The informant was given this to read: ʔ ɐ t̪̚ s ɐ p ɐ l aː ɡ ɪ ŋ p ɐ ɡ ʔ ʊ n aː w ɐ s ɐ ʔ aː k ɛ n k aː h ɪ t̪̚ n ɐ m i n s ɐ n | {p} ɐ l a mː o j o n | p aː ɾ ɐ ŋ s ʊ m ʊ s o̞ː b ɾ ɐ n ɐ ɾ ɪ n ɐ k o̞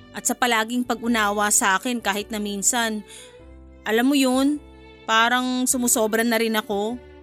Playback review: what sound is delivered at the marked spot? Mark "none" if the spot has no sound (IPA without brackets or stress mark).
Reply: ʔ